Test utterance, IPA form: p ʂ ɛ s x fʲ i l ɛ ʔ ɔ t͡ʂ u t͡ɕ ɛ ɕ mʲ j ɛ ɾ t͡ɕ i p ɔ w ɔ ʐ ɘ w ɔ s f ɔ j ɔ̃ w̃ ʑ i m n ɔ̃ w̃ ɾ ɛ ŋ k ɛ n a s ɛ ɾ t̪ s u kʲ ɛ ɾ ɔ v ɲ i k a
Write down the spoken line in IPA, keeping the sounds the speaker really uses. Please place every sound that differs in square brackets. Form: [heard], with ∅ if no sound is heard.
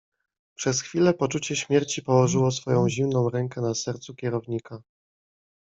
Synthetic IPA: p ʂ ɛ s x fʲ i l ɛ [p] ɔ t͡ʂ u t͡ɕ ɛ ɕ mʲ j ɛ ɾ t͡ɕ i p ɔ w ɔ ʐ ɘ w ɔ s f ɔ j ɔ̃ w̃ ʑ i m n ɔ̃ w̃ ɾ ɛ ŋ k ɛ n a s ɛ ɾ t̪ s u kʲ ɛ ɾ ɔ v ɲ i k a